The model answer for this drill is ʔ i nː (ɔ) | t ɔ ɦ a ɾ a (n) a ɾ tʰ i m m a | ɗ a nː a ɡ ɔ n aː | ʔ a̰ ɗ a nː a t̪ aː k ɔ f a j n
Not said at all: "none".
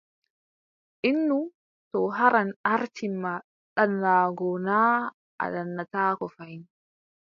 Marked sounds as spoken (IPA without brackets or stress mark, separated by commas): u, n